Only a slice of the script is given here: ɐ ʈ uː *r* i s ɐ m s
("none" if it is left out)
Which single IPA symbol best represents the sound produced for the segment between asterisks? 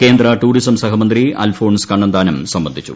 ɽ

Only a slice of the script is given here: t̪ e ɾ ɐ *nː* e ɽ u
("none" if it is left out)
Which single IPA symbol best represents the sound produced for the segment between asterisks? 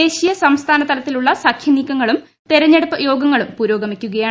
ɲː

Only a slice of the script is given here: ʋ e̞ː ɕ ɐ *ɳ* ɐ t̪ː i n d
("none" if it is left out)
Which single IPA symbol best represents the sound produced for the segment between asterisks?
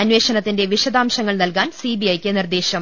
n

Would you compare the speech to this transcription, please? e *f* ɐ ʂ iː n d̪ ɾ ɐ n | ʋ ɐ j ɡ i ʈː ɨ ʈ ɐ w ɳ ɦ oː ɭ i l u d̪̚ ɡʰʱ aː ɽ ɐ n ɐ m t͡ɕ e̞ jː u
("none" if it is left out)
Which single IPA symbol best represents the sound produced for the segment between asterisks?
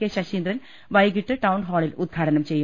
ɕ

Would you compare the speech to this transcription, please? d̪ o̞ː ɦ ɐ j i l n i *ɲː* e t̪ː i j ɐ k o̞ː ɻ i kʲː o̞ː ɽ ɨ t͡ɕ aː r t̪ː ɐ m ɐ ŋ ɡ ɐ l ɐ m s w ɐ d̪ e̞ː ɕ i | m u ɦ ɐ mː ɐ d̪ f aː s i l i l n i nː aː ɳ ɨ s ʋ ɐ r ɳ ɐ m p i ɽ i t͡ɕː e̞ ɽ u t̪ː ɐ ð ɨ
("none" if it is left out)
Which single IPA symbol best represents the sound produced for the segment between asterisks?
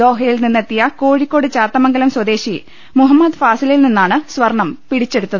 nː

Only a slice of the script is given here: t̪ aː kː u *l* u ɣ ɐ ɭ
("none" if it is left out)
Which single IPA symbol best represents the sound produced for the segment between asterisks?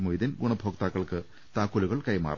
l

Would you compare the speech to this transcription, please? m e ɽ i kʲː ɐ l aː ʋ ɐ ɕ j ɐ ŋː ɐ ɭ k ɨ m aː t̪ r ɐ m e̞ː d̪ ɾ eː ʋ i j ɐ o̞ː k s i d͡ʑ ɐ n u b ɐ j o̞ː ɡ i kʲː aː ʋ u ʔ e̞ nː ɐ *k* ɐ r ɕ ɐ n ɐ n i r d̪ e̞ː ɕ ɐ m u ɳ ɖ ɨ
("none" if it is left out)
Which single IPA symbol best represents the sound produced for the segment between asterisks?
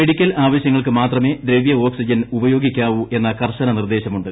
k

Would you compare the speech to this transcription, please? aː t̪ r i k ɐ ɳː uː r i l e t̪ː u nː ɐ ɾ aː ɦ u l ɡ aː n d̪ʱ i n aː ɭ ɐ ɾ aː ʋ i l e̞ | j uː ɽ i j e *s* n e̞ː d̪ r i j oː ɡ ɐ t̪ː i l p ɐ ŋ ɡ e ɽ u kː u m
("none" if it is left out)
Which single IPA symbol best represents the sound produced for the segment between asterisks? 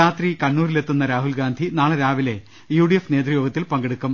f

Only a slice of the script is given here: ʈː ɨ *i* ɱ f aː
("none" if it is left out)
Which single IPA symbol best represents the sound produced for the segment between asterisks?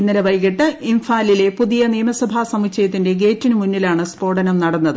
i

